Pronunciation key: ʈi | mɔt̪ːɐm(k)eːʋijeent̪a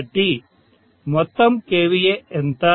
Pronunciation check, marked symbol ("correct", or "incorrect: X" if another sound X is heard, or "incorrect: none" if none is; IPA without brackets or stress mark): correct